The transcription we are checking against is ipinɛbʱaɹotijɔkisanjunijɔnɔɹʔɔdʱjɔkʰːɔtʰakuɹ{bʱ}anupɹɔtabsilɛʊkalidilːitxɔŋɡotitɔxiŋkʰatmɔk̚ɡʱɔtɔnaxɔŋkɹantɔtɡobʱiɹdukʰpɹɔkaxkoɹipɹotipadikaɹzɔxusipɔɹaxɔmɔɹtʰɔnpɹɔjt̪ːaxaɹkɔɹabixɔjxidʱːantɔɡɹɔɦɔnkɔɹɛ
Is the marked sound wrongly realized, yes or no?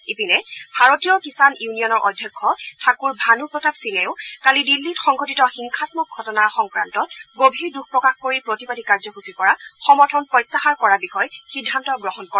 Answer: no